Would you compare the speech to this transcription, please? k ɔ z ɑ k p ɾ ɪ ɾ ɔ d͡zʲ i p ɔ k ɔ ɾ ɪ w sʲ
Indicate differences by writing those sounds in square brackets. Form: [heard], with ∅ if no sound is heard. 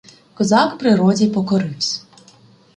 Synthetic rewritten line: k ɔ z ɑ k p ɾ ɪ ɾ ɔ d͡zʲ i p ɔ k ɔ ɾ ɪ w sʲ

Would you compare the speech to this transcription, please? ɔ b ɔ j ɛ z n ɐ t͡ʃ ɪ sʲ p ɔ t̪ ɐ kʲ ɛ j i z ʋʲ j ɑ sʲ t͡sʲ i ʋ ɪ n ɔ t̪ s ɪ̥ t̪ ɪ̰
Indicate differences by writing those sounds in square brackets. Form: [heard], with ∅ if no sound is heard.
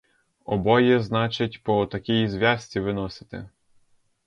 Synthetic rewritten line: ɔ b ɔ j ɛ z n [ɑ] t͡ʃ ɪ [tʲ] p ɔ t̪ ɐ kʲ [i] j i z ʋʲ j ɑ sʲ t͡sʲ i ʋ ɪ n ɔ [∅] s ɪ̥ t̪ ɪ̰

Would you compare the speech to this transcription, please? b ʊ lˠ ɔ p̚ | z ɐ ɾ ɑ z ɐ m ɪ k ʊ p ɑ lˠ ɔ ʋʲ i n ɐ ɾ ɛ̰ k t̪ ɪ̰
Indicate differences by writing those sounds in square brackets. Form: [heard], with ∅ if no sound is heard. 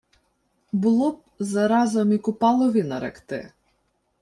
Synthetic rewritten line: b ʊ lˠ ɔ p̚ | z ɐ ɾ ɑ z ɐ m [i] k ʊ p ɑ lˠ ɔ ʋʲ i n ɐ ɾ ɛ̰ k t̪ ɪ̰

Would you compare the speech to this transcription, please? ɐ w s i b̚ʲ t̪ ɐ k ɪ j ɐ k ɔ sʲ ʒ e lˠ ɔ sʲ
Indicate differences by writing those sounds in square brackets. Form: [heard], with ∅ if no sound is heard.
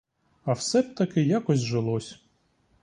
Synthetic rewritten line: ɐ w s [ɛ] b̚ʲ t̪ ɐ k ɪ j [a] k ɔ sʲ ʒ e lˠ ɔ sʲ

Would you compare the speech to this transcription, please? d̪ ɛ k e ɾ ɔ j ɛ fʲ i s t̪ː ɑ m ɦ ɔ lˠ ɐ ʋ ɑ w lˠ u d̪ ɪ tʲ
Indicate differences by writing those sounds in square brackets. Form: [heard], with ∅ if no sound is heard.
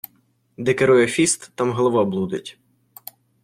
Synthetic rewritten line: d̪ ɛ k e ɾ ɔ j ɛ fʲ i s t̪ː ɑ m ɦ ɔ lˠ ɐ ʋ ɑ [b] lˠ u d̪ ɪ tʲ

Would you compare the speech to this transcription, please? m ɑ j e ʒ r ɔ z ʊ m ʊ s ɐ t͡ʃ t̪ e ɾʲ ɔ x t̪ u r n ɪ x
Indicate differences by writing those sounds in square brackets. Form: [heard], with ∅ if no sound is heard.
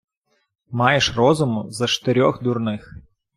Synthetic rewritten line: m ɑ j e [ʃ] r ɔ z ʊ m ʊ [z] ɐ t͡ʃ t̪ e ɾʲ ɔ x [d̪] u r n ɪ x

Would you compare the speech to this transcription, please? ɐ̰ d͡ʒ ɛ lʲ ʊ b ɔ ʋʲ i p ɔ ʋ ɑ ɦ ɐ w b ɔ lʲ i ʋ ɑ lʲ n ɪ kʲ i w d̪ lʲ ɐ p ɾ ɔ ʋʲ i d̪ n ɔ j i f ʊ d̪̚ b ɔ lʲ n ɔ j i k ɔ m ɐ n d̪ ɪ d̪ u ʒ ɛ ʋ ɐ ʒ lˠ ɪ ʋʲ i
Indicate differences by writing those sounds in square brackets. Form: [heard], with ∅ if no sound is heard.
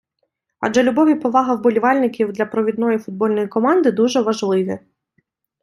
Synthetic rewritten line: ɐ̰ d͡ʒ ɛ lʲ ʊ b ɔ ʋʲ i p ɔ ʋ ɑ ɦ ɐ w b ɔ lʲ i ʋ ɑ lʲ n ɪ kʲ i w d̪ lʲ ɐ p ɾ ɔ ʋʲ i d̪ n ɔ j i f ʊ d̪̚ b ɔ lʲ n ɔ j i k ɔ m [ɑ] n d̪ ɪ d̪ u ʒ ɛ ʋ ɐ ʒ lˠ ɪ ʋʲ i

